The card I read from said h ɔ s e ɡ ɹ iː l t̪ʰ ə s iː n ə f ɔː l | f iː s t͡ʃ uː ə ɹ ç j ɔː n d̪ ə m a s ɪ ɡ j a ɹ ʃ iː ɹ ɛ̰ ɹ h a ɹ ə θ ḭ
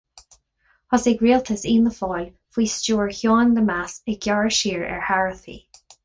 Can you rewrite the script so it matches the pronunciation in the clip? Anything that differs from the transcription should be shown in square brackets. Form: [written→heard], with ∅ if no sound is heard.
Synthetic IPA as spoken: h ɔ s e ɡ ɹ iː l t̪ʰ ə s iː n ə f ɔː l | f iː s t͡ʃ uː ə ɹ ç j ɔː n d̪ ə m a s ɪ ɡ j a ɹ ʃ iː ɹ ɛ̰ ɹ h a ɹ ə θ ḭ